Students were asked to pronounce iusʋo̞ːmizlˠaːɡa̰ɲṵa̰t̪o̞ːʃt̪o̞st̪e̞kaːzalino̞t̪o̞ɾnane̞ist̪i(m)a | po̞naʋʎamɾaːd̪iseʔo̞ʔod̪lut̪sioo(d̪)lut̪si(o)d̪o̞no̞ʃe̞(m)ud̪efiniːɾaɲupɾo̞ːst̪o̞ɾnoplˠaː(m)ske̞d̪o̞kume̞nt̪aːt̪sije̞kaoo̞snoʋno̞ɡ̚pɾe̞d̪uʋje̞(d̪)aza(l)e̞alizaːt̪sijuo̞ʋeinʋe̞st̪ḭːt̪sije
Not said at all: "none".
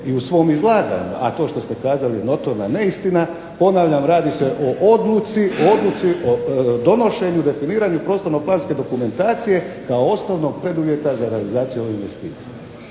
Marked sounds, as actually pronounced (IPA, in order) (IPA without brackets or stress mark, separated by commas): n, d̪, o, ɲ, n, t̪, ɾ